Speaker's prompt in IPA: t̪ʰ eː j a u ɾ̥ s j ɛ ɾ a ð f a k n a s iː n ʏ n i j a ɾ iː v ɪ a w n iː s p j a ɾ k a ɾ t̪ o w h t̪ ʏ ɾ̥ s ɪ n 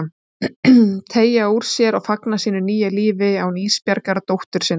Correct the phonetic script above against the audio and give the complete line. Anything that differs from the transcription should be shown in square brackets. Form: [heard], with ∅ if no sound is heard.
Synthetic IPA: t̪ʰ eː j a u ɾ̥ s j ɛ ɾ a [ɣ] f a k n a s iː n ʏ n [iː] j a [l] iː v ɪ a w n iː s p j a ɾ k a ɾ t̪ o w h t̪ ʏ ɾ̥ s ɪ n